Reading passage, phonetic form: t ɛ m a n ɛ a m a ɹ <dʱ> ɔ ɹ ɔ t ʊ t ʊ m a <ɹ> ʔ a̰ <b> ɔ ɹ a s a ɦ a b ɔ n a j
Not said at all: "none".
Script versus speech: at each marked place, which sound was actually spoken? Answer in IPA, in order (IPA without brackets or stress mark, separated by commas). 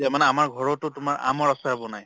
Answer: ɡʱ, ɹ, m